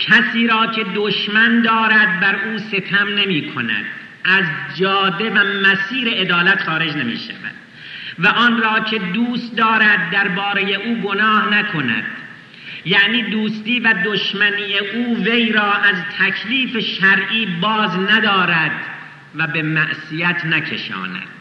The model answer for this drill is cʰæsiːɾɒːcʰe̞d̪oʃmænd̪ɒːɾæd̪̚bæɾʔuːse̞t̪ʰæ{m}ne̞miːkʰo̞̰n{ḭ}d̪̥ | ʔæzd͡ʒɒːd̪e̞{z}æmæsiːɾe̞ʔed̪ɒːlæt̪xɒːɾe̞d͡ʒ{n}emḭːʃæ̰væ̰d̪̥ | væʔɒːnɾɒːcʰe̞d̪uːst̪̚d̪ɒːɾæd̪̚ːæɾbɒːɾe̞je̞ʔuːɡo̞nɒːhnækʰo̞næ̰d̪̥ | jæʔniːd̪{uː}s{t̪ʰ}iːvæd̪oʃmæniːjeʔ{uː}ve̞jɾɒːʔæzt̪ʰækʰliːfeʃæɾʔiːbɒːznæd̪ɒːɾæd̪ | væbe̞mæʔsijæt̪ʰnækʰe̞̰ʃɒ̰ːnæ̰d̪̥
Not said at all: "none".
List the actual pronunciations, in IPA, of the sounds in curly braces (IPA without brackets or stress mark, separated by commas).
m, æ̰, v, n, uː, t̪, uː